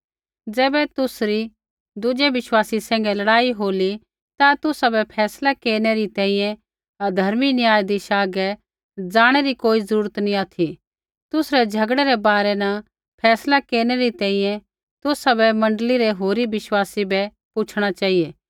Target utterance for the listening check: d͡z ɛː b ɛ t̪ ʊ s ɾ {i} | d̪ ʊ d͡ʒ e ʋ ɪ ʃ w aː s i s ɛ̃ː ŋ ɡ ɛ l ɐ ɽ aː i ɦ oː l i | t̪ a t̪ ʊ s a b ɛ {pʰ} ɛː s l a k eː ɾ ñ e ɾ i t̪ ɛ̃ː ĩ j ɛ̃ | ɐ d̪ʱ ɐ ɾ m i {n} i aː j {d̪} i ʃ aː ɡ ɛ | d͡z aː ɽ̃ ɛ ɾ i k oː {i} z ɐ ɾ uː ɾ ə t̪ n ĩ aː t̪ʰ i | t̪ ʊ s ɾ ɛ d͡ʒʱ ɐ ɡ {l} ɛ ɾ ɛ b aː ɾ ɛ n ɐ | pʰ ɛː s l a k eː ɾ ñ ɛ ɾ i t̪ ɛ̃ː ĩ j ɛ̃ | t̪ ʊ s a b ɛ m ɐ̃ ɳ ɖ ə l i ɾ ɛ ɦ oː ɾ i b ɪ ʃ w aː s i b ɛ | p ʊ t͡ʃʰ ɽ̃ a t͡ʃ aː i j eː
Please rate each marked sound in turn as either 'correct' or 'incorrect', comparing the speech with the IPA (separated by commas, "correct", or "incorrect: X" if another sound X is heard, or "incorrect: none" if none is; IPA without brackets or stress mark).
correct, correct, correct, correct, correct, incorrect: ɽ